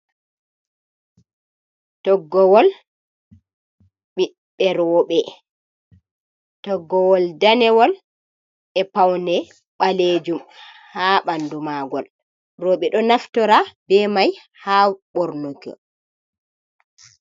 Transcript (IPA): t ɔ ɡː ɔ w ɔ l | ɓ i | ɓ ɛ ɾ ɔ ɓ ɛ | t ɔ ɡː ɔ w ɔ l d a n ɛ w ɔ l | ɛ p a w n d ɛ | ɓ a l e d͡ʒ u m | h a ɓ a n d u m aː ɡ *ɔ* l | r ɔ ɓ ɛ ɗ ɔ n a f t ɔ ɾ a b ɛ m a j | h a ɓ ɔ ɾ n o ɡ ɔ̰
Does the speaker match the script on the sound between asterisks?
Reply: yes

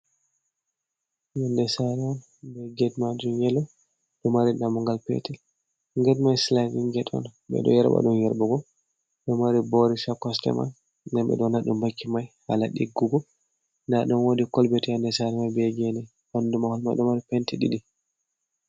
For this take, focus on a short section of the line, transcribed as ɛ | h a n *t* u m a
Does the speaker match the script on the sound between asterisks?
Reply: no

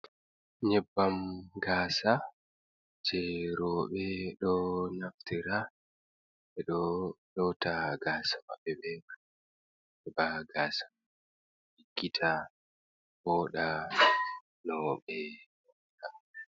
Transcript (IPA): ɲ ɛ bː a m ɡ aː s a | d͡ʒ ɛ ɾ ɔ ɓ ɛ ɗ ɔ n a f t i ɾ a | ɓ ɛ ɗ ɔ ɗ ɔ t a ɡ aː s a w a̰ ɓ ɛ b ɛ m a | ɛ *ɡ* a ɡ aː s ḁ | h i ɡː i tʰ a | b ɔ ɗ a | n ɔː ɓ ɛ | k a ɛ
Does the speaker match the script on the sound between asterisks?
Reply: no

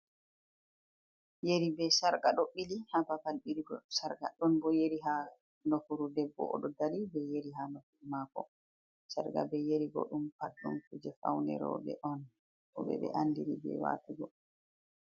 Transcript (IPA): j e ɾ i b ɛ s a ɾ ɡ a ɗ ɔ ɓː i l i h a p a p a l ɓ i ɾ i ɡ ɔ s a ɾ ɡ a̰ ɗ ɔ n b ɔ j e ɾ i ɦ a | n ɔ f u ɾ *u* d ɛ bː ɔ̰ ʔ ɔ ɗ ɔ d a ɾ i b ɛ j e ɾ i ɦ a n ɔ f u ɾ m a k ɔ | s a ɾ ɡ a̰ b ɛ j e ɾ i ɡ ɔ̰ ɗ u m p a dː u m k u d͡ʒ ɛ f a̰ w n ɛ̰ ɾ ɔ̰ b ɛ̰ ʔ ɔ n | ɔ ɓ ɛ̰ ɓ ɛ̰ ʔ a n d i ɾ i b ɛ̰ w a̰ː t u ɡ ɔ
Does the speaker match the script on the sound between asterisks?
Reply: yes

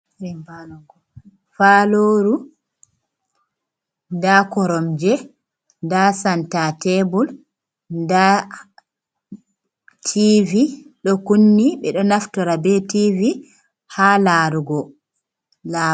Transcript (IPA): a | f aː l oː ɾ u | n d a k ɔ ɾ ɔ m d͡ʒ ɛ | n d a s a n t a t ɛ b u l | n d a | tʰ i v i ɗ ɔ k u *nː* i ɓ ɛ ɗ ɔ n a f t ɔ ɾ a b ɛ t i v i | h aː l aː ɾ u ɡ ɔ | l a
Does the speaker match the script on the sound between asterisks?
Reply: yes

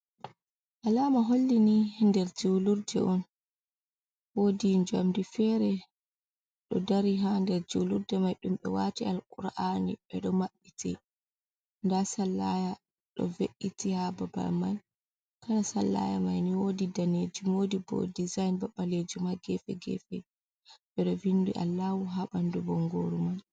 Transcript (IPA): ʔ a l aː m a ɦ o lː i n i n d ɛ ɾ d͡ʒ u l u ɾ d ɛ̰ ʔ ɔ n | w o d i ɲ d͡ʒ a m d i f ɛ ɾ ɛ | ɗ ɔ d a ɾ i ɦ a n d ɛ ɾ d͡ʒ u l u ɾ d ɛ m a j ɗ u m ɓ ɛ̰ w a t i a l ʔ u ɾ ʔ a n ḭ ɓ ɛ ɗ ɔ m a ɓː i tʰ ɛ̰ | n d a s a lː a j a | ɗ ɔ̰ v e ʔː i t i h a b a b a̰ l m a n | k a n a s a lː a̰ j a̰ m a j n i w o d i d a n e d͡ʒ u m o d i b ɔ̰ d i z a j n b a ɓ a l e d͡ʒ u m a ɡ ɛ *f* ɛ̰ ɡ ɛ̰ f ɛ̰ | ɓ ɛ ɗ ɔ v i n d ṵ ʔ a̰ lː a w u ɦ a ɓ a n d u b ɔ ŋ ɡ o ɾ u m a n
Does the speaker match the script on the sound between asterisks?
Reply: yes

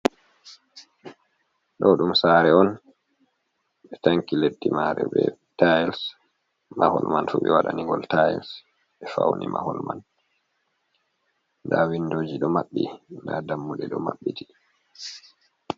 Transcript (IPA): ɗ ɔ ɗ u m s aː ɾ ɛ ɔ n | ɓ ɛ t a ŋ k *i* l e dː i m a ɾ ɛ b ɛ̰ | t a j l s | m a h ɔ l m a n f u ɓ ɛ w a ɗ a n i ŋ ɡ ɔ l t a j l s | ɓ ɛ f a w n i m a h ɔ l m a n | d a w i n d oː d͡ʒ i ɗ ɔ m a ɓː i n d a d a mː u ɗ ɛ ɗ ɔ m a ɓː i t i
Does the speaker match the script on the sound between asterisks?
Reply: yes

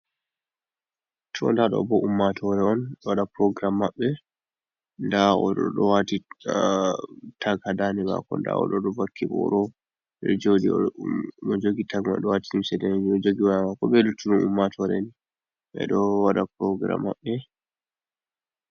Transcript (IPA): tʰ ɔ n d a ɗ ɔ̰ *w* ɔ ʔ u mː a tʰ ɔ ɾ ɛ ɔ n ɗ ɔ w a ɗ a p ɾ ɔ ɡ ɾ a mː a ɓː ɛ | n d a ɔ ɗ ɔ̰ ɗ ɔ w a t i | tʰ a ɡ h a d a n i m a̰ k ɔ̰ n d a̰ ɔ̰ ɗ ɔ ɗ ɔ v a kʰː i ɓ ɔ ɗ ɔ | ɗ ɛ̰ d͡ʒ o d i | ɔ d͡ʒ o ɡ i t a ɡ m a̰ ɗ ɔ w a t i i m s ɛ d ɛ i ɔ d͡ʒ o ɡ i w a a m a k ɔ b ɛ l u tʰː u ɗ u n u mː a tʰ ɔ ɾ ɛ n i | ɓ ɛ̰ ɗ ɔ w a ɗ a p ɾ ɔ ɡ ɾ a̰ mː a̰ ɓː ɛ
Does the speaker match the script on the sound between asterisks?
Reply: no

